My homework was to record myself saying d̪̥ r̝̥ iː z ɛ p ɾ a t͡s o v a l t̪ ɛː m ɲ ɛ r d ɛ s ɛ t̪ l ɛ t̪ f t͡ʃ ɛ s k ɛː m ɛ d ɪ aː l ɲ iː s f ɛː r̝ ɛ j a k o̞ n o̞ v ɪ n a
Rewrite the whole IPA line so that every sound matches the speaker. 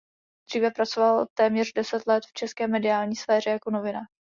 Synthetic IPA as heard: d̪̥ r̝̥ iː v ɛ p ɾ a t͡s o v a l t̪ ɛː m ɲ ɛ r d ɛ s ɛ t̪ l ɛ t̪ f t͡ʃ ɛ s k ɛː m ɛ d ɪ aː l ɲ iː s f ɛː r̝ ɛ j a k o̞ n o̞ v ɪ n a